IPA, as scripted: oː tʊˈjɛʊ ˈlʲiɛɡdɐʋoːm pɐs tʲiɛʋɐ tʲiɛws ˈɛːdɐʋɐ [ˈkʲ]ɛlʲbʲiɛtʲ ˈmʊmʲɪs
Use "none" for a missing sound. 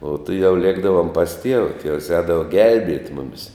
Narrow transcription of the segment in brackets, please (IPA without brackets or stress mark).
ɡʲ